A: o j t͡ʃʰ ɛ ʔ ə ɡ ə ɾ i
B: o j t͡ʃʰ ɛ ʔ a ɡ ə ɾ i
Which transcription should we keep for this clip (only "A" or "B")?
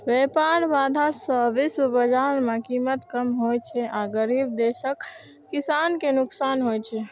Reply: B